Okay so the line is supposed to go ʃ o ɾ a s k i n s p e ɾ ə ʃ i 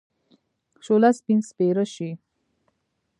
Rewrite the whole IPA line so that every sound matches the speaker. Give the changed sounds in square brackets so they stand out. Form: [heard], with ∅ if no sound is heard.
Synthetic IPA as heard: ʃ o [l] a s [p] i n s p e ɾ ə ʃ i